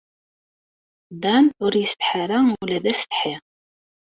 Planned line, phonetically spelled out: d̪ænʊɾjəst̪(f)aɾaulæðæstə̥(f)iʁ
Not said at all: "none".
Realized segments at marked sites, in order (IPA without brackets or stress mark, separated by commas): ħ, ħ